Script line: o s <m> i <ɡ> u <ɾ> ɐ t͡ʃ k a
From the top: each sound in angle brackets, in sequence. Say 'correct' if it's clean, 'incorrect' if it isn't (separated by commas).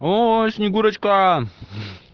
incorrect, correct, correct